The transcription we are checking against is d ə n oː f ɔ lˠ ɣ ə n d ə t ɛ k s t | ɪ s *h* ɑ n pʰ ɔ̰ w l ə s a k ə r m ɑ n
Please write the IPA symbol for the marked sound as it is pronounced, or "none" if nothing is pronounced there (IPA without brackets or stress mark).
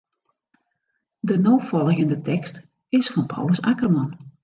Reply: f